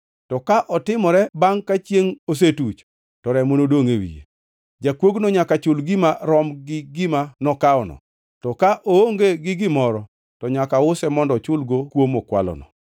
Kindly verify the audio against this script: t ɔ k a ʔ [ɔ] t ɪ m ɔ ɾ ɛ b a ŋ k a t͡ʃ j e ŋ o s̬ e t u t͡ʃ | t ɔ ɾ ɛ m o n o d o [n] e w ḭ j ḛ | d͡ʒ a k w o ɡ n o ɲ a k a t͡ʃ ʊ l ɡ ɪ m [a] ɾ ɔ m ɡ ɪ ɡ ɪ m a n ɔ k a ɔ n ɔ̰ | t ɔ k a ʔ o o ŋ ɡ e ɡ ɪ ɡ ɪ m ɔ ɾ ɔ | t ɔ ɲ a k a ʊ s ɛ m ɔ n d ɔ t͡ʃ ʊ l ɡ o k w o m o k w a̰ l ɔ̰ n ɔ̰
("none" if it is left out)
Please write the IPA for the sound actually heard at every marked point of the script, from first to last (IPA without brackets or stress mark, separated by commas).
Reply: ɔ, ŋ, a